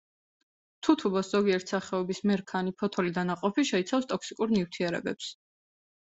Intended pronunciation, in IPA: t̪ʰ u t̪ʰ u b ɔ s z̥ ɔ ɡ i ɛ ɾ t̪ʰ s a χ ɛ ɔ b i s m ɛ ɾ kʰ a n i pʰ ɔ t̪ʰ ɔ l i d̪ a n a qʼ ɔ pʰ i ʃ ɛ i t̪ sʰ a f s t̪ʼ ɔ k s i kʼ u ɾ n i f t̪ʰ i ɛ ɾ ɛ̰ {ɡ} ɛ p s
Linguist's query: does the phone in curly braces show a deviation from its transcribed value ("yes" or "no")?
yes